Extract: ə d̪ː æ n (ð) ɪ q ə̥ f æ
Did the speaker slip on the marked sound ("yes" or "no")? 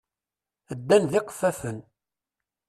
no